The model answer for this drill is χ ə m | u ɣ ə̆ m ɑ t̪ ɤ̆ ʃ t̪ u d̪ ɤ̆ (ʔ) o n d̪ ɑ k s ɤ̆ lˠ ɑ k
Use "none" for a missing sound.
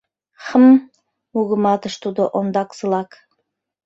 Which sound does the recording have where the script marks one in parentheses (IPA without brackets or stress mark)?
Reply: ʔ